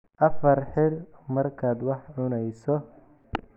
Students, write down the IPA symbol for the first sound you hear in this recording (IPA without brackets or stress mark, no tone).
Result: ʔ